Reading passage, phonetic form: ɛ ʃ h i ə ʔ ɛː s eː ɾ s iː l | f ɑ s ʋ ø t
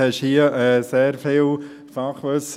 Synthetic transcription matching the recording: ɛ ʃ h i ə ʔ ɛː s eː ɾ f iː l | f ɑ χ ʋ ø s